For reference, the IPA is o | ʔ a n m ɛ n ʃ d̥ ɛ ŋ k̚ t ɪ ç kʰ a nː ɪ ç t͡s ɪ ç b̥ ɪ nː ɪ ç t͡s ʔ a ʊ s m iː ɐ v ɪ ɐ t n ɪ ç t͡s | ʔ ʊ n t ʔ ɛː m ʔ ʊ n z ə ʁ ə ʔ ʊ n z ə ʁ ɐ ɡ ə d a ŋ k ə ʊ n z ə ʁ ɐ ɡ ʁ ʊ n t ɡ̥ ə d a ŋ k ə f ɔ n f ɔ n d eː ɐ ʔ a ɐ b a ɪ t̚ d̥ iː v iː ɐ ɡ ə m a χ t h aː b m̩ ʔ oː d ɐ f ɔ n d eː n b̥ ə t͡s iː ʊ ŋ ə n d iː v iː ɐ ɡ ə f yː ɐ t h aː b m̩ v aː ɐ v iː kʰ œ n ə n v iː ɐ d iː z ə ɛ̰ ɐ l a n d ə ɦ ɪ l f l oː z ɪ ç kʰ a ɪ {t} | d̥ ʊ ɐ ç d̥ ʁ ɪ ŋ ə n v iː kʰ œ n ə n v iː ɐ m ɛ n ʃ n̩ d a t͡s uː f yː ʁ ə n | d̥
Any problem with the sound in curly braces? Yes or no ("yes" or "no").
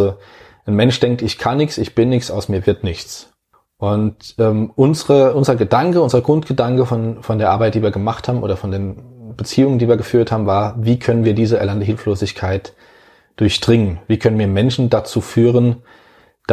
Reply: no